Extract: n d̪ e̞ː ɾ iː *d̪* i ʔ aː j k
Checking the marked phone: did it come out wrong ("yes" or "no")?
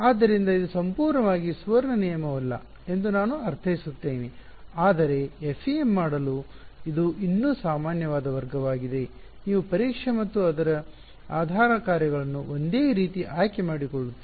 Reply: yes